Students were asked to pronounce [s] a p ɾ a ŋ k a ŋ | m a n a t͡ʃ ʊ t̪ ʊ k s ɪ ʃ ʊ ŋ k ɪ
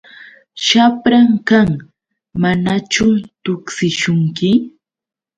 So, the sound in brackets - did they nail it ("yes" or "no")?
no